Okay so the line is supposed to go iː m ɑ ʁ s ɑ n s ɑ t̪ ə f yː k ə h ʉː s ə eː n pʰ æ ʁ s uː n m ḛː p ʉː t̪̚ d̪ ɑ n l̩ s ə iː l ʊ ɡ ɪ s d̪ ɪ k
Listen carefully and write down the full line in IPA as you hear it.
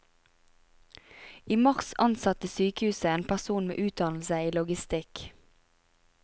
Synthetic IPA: iː m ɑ ʁ s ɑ n s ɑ t̪ ə s yː k ə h ʉː s ə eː n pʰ æ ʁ s uː n m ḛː ʔ ʉː t̪̚ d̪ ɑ n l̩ s ə iː l ʊ ɡ ɪ s t̪ ɪ k